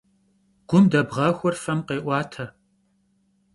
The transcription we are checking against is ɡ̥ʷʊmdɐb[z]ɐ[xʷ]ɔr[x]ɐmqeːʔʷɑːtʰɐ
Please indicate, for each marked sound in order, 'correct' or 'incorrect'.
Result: incorrect: ʁ, correct, incorrect: f

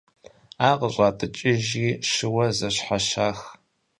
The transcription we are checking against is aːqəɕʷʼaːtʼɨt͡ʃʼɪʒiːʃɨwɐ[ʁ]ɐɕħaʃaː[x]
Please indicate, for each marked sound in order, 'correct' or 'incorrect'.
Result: incorrect: z, correct

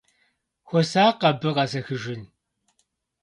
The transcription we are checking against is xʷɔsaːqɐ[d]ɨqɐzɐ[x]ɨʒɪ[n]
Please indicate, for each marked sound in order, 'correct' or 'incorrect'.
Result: incorrect: b, correct, correct

